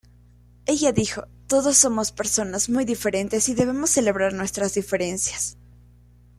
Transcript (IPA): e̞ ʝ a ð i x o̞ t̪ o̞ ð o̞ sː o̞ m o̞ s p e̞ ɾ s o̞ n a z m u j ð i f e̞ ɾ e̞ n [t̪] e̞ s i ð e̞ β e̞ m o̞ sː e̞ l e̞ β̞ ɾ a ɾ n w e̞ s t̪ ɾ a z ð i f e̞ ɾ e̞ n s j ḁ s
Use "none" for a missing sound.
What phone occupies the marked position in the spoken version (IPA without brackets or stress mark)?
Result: t̪